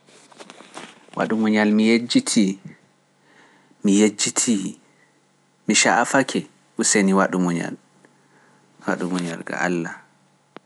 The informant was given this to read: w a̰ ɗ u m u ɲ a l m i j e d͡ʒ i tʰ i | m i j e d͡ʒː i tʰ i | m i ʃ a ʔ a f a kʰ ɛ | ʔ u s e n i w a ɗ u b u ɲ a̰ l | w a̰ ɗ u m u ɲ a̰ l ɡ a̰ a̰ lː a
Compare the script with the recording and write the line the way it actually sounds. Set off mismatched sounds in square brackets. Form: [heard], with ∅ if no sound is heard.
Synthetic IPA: w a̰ ɗ u m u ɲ a l m i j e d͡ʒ i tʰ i | m i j e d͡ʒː i tʰ i | m i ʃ a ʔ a f a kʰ ɛ | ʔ u s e n i w a ɗ u [m] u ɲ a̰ l | w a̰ ɗ u m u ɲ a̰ l ɡ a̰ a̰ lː a